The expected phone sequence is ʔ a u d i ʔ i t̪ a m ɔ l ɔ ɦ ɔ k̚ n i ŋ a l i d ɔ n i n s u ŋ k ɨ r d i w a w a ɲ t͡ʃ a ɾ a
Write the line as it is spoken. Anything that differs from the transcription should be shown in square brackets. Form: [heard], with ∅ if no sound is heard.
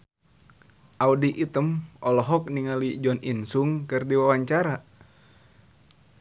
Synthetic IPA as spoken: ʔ a u d i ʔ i t̪ [ə] m ɔ l ɔ ɦ ɔ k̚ n i ŋ a l i [d͡ʒ] ɔ n i n s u ŋ k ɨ r d i w a w a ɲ t͡ʃ a ɾ a